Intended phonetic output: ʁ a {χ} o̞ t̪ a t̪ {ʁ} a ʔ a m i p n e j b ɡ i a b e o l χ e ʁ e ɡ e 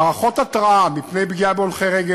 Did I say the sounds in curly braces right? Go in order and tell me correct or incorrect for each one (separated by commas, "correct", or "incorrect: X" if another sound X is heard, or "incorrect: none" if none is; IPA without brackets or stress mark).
correct, correct